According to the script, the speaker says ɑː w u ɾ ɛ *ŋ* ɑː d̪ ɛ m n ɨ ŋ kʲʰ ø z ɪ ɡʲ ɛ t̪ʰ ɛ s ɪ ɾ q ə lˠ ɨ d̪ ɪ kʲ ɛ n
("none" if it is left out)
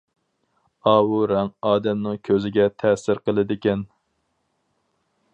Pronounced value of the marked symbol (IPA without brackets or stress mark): ŋ